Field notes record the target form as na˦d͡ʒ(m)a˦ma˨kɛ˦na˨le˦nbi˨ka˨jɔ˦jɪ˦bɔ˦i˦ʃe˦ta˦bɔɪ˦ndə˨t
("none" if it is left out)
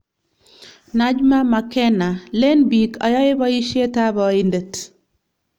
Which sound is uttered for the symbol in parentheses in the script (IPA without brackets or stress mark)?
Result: m